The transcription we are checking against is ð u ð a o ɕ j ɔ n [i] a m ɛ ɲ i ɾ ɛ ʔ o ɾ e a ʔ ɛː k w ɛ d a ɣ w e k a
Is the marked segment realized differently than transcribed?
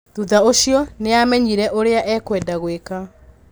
yes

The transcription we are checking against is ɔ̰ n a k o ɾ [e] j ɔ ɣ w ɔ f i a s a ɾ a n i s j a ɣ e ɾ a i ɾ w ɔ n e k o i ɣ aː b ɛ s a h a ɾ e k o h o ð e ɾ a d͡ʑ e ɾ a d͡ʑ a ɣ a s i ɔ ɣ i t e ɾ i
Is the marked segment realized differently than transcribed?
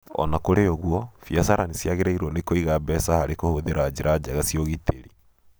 no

